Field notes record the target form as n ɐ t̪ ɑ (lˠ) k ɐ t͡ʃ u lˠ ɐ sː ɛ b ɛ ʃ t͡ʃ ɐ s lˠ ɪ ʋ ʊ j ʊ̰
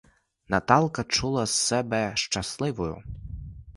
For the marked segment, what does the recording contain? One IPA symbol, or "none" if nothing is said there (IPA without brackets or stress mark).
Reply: lˠ